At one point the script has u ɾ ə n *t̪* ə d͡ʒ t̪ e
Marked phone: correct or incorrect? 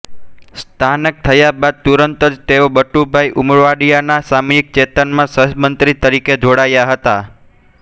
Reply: correct